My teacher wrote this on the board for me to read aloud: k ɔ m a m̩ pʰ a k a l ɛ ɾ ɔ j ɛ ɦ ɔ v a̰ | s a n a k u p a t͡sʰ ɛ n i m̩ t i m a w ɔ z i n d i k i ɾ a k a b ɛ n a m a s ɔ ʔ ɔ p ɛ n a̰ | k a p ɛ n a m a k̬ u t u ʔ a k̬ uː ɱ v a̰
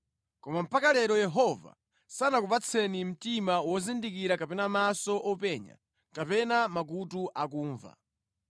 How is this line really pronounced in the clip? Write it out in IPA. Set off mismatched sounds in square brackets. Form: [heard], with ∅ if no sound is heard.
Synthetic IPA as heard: k ɔ m a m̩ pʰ a k a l ɛ ɾ ɔ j ɛ ɦ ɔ v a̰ | s a n a k u p a t͡sʰ ɛ n i m̩ t i m a w ɔ z i n d i k i ɾ a k a [p] ɛ n a m a s ɔ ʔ ɔ p ɛ [ɲ] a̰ | k a p ɛ n a m a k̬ u t u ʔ a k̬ uː ɱ v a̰